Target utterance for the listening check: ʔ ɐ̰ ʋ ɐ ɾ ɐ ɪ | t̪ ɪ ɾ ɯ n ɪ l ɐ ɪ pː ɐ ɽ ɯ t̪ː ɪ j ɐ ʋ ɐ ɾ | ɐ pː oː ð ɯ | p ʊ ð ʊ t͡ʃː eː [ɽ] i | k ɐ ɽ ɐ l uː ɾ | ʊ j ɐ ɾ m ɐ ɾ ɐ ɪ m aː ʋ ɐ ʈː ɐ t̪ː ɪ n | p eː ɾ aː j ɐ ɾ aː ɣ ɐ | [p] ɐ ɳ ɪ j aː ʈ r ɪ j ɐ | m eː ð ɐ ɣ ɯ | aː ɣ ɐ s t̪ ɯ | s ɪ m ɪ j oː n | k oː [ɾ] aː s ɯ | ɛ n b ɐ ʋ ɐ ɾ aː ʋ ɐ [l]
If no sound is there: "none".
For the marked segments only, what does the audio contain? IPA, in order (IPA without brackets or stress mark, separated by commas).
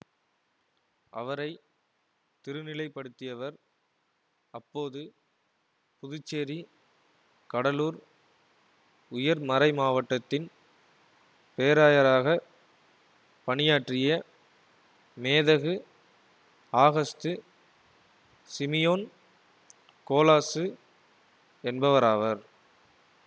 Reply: ɾ, p, l, ɾ